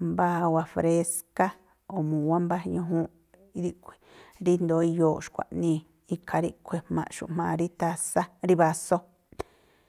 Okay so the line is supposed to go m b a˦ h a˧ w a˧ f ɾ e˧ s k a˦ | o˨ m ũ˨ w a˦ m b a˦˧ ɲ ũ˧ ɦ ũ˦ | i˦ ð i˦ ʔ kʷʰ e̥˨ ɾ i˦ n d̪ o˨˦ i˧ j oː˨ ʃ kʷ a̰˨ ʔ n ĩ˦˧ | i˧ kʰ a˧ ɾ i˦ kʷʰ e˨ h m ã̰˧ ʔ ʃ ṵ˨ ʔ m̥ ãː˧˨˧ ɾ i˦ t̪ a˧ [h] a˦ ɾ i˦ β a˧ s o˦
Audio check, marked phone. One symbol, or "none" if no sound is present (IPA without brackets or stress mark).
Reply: s